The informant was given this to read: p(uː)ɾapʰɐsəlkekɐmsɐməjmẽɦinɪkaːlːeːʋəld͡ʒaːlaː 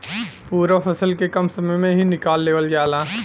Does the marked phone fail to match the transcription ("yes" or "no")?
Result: no